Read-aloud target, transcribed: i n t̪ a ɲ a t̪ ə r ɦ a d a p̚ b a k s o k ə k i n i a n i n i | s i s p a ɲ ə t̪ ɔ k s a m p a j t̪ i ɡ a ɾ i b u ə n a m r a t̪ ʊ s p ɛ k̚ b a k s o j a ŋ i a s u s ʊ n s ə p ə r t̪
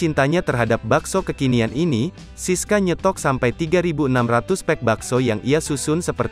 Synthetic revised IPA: i n t̪ a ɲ a t̪ ə r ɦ a d a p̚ b a k s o k ə k i n i a n i n i | s i s k a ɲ ə t̪ ɔ k s a m p a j t̪ i ɡ a ɾ i b u ə n a m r a t̪ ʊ s p ɛ k̚ b a k s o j a ŋ i a s u s ʊ n s ə p ə r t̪